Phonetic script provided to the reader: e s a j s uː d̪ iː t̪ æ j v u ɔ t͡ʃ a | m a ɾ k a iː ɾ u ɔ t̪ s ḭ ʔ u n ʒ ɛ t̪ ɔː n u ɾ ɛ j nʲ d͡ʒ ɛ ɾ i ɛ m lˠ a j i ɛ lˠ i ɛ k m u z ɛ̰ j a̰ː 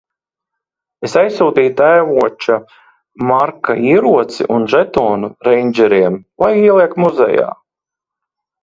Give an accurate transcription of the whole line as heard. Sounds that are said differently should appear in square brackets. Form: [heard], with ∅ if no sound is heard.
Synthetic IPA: e s a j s uː d̪ iː t̪ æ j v u ɔ t͡ʃ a | m a ɾ k a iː ɾ u ɔ t̪ s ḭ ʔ u n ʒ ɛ t̪ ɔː n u ɾ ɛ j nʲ d͡ʒ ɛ ɾ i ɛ m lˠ a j i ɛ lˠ i ɛ k m u z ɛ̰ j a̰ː